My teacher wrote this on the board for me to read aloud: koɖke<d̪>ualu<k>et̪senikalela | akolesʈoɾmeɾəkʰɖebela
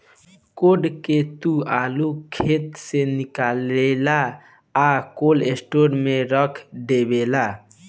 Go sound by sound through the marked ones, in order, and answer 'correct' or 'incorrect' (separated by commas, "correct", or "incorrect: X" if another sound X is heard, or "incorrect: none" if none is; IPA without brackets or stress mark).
incorrect: t̪, incorrect: kʰ